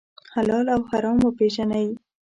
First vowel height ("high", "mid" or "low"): low